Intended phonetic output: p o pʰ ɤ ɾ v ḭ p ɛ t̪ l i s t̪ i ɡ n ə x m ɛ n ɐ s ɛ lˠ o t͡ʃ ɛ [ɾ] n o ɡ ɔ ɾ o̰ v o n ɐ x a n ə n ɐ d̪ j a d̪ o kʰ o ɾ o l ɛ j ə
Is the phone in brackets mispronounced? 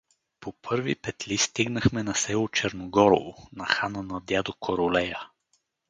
no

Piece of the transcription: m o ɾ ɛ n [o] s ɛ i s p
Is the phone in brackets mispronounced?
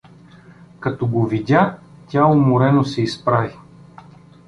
no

